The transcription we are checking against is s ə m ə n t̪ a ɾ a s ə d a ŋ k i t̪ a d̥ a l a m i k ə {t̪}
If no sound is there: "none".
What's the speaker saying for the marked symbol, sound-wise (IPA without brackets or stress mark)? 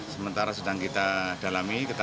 t̪